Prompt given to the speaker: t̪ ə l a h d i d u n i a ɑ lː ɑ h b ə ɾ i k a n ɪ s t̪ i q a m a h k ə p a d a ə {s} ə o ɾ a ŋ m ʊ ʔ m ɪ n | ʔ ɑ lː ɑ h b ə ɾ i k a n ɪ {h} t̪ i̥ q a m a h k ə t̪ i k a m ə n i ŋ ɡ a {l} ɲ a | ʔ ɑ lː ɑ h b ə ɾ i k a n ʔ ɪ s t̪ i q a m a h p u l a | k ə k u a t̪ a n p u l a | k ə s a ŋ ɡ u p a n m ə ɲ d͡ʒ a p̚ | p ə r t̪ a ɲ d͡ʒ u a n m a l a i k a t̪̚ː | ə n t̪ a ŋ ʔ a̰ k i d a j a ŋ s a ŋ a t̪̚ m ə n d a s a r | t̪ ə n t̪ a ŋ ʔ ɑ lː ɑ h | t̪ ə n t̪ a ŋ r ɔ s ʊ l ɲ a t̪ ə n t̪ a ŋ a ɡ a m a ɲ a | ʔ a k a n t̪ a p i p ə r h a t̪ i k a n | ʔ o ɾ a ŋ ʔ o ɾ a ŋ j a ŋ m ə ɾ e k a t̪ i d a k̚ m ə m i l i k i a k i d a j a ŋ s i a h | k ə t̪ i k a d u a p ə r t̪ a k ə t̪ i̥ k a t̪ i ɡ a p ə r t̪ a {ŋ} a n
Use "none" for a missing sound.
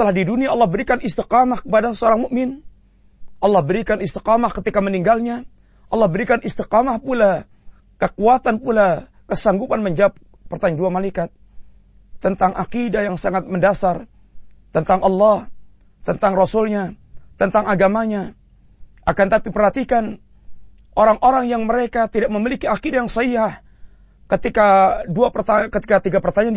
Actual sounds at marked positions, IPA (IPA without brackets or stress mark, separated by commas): s, s, l, ɲ